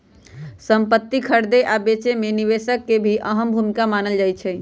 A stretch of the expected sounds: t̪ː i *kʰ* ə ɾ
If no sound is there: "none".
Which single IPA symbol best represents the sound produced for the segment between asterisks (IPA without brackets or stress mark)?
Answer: kʰ